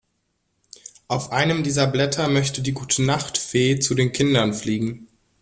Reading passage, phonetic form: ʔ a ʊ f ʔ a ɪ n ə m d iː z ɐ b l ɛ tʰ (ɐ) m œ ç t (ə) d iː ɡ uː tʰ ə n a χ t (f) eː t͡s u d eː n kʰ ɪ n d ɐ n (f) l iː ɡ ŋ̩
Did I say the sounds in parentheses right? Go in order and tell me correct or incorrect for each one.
correct, correct, correct, correct

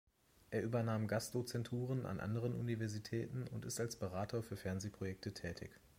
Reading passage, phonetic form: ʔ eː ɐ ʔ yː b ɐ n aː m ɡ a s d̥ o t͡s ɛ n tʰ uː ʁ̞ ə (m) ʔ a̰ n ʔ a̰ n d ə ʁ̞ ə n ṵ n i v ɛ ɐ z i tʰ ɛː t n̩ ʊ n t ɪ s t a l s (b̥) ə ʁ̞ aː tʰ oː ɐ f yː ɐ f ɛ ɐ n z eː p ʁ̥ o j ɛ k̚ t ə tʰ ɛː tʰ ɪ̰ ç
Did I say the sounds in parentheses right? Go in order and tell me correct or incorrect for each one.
incorrect: n, correct

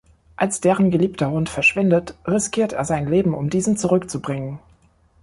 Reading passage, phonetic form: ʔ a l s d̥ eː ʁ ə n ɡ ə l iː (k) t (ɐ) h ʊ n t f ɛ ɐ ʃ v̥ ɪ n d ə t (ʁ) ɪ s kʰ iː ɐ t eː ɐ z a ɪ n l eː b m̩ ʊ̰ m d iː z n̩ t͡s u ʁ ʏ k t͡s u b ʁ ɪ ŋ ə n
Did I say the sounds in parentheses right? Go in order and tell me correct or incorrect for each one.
incorrect: p, correct, correct

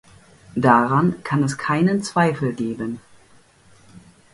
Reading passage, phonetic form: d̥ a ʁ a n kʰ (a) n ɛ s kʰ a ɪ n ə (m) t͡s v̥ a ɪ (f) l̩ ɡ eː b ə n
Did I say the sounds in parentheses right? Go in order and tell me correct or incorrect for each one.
correct, incorrect: n, correct

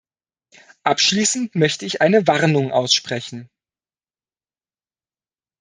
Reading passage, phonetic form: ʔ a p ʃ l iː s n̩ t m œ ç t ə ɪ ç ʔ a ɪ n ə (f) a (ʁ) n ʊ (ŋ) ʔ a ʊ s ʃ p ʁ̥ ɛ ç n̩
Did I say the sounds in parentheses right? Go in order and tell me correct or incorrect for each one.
incorrect: v, correct, correct

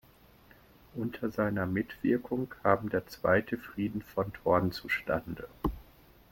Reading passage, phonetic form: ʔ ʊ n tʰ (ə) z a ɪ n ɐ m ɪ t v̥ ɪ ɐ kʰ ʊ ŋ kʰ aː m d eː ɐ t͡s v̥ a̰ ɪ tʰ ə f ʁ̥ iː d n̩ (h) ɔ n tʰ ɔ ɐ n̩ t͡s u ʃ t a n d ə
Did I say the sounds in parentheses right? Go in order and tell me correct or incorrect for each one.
incorrect: ɐ, incorrect: f

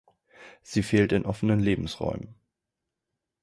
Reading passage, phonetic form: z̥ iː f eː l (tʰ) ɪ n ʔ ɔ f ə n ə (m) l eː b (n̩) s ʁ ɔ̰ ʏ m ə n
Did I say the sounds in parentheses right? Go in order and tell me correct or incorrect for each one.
incorrect: t, incorrect: n, incorrect: m̩

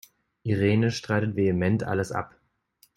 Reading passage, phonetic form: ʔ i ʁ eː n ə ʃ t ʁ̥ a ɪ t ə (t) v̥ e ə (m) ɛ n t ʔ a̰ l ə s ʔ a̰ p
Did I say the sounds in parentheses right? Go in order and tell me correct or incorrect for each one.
correct, correct

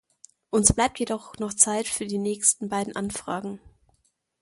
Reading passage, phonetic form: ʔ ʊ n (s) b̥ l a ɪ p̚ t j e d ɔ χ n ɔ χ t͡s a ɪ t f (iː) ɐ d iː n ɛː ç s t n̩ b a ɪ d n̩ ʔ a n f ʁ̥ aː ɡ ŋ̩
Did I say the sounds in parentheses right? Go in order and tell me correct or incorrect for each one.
correct, incorrect: yː

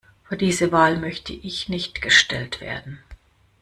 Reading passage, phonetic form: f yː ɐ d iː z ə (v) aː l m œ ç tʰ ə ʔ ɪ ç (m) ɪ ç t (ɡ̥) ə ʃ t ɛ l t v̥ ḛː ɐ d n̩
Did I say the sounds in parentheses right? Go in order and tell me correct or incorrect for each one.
correct, incorrect: n, correct

